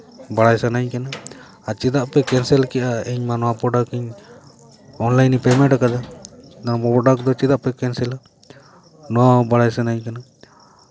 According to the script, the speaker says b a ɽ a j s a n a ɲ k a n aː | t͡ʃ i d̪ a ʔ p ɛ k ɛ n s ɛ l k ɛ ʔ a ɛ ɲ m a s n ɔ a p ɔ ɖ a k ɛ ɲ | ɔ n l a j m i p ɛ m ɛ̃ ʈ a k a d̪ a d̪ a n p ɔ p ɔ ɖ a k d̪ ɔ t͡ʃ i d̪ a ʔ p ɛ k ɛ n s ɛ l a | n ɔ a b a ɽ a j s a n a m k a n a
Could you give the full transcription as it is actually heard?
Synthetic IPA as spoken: b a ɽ a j s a n a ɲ k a n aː | t͡ʃ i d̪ a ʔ p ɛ k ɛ n s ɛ l k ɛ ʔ a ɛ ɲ m a n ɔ a p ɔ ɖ a k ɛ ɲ | ɔ n l a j n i p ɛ m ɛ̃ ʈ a k a d̪ a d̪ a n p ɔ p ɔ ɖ a k d̪ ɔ t͡ʃ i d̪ a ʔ p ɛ k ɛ n s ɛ l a | n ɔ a b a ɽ a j s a n a ɲ k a n a